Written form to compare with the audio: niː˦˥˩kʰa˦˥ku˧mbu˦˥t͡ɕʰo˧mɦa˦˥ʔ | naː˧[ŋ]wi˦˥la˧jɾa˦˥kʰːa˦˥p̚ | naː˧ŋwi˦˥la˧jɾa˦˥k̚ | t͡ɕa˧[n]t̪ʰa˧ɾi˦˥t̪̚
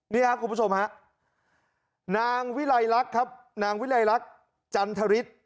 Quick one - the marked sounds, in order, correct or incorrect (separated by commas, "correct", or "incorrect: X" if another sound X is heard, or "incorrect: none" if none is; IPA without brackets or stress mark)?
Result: correct, correct